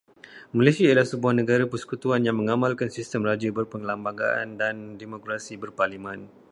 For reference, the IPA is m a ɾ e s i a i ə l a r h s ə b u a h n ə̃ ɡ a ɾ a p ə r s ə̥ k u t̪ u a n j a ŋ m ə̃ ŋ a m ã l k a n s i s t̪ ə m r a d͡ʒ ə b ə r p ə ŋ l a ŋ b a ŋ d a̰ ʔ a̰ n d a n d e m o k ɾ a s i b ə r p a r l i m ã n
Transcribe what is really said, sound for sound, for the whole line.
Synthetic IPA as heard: m a l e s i a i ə l a h s ə b u a h n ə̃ ɡ a ɾ a p ə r s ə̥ k u t̪ u a n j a ŋ m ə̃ ŋ a m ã l k a n s i s t̪ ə m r a d͡ʒ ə b ə r p ə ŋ l a m b a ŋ ɡ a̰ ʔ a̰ n d a n d e m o k ɾ a s i b ə r p a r l i m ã n